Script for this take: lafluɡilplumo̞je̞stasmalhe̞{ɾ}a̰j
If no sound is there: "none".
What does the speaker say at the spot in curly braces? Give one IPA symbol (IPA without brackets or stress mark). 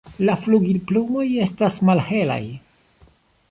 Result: l